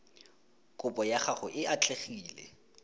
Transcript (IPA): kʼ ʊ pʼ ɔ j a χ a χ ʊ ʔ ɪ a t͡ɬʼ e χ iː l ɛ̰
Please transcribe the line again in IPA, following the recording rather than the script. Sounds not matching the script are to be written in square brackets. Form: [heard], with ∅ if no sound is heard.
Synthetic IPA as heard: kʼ ʊ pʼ ɔ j a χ a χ ʊ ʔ ɪ a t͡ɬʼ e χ iː l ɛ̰